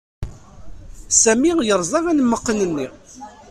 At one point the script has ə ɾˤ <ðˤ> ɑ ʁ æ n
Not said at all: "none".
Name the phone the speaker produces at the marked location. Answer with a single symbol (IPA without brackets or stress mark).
zˤ